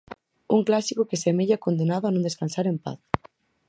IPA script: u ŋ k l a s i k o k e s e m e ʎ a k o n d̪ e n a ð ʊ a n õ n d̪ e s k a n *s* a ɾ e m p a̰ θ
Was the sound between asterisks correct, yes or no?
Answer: yes